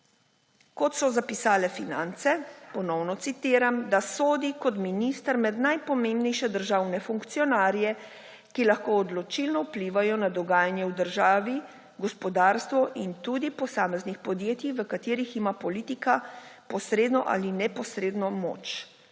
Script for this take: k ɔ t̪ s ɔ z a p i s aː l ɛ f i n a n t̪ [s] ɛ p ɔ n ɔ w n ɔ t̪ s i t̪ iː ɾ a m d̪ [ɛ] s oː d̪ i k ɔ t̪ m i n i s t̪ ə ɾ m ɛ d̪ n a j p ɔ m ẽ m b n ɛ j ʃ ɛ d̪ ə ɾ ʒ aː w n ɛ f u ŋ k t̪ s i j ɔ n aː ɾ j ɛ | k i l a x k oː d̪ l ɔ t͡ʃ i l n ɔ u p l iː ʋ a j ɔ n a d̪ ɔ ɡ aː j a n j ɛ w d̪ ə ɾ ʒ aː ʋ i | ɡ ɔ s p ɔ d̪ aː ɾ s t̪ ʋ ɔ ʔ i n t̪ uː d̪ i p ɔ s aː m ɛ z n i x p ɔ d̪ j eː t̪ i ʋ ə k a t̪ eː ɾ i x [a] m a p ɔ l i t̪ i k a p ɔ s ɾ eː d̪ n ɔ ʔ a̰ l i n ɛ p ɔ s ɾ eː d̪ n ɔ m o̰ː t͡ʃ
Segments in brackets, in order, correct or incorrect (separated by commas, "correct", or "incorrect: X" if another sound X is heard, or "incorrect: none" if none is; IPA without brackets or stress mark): correct, incorrect: a, incorrect: i